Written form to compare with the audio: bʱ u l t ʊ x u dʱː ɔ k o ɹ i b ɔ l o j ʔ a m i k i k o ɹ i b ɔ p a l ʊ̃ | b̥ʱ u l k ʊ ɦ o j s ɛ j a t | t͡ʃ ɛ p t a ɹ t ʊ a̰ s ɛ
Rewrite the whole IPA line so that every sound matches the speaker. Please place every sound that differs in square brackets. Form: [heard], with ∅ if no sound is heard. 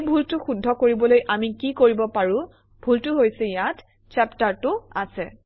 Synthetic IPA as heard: bʱ u l t ʊ x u dʱː ɔ k o ɹ i b ɔ l o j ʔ a m i k i k o ɹ i b ɔ p a [ɹ] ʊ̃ | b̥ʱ u l [t] ʊ ɦ o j s ɛ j a t | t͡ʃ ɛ p t a ɹ t ʊ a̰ s ɛ